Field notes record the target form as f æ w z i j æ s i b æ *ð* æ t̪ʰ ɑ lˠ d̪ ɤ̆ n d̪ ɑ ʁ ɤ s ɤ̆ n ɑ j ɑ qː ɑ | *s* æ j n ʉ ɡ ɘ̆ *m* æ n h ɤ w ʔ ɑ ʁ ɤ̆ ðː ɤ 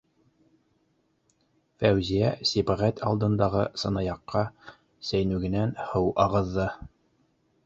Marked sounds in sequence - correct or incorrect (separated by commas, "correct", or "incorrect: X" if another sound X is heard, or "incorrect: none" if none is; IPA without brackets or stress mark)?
incorrect: ʁ, correct, incorrect: n